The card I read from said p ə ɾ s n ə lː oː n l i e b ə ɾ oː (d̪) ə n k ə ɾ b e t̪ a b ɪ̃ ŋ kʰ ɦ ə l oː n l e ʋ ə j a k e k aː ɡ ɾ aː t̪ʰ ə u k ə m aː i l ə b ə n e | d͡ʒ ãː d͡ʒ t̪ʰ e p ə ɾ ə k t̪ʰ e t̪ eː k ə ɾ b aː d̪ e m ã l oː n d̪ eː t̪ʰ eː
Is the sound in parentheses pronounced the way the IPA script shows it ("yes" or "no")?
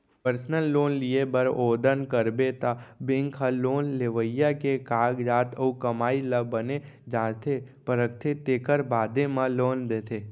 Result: yes